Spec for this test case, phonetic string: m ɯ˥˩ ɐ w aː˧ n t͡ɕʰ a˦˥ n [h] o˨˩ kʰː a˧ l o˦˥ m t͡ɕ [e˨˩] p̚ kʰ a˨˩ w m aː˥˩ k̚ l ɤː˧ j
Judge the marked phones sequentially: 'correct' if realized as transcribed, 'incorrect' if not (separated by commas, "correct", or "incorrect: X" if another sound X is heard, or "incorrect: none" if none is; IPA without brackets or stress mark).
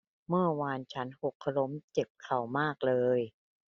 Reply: correct, correct